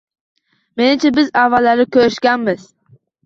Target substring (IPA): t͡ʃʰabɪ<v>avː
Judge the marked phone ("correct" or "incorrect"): incorrect